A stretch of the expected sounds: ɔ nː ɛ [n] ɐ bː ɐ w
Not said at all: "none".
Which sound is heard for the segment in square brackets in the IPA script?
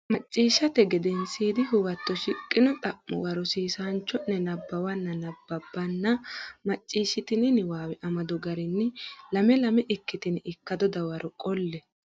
n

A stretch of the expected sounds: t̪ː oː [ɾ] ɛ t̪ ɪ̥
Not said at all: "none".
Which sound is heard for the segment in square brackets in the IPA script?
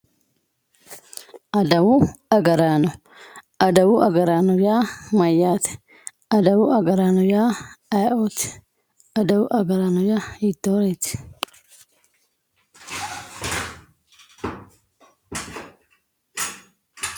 ɾ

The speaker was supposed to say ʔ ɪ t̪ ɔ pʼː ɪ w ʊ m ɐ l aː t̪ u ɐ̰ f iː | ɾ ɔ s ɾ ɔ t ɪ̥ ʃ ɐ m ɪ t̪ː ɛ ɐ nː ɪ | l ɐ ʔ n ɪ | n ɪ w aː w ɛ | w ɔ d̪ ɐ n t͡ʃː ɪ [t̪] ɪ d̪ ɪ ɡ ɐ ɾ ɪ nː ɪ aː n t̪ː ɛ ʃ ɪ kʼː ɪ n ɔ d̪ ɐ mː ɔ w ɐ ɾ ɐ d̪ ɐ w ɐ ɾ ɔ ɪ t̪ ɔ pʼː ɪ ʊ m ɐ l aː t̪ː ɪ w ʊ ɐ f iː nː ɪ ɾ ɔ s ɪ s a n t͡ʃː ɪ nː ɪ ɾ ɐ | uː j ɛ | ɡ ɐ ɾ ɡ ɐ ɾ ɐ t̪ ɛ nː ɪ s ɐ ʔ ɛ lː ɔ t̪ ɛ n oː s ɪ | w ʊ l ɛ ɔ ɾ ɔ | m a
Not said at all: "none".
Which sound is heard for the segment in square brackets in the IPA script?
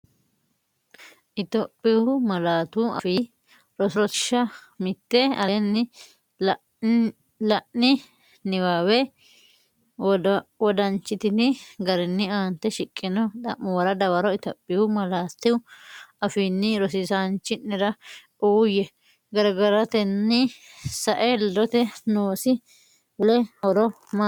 t̪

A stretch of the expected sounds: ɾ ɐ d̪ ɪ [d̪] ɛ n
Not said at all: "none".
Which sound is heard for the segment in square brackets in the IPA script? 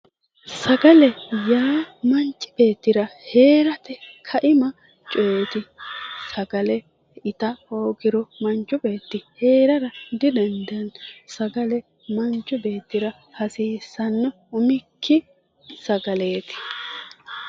d̪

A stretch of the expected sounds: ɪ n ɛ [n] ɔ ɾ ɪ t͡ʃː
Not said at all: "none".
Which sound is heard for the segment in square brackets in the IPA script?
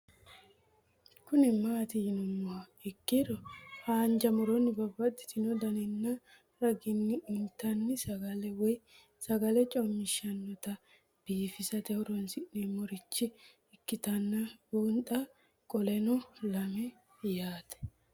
m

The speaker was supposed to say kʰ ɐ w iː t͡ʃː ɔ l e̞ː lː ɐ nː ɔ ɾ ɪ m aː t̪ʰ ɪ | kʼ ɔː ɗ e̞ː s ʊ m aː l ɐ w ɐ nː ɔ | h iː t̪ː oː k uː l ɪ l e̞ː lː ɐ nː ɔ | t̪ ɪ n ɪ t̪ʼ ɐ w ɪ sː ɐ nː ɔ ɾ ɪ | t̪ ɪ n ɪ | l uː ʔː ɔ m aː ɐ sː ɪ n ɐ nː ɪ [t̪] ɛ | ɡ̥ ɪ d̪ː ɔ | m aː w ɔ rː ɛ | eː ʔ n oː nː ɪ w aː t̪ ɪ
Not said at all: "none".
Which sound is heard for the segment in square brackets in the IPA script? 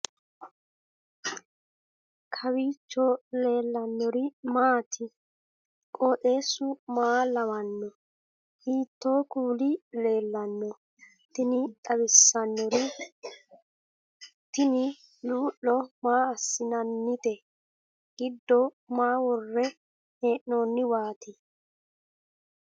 t̪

